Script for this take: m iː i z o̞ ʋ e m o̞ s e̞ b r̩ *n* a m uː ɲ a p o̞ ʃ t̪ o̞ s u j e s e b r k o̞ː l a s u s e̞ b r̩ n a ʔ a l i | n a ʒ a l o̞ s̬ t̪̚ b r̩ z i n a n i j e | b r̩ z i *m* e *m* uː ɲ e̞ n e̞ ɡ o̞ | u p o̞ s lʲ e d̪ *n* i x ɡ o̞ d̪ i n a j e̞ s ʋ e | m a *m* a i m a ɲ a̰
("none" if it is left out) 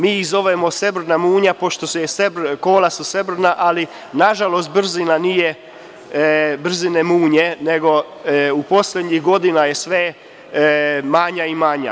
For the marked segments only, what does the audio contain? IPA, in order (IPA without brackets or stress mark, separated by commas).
n, n, m, ɲ, ɲ